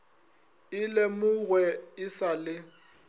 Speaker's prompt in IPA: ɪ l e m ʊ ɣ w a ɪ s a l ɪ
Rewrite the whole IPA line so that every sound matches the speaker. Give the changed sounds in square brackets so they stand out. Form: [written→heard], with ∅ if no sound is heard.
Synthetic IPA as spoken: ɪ l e m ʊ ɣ w [a→ɛ] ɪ s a l ɪ